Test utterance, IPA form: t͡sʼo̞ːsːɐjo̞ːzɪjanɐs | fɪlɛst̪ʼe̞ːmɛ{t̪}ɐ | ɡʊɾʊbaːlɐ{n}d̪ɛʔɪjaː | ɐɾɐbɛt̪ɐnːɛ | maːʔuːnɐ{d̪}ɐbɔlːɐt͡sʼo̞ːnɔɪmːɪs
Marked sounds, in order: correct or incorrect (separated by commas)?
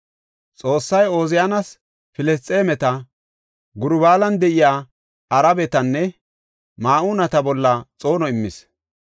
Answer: correct, correct, incorrect